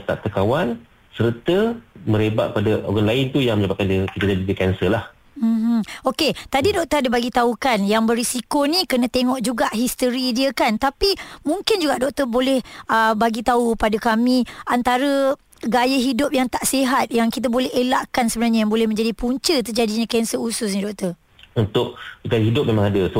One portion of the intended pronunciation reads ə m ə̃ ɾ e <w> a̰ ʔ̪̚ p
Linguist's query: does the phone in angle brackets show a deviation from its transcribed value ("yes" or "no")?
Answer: yes